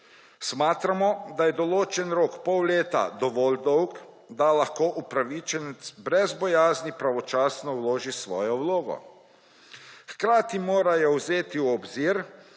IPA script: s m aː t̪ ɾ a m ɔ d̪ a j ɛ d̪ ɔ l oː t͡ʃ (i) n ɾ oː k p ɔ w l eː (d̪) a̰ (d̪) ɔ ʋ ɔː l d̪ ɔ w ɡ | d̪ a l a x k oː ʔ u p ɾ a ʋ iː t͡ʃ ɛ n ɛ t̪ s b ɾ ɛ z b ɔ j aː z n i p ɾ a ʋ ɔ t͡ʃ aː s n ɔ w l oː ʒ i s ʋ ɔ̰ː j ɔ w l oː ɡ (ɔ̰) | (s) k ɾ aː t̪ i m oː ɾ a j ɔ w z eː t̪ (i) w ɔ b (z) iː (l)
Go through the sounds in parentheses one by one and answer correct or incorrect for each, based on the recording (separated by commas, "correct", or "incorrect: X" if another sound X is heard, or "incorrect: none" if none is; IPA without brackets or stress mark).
incorrect: ɛ, incorrect: t̪, correct, correct, incorrect: x, correct, correct, incorrect: ɾ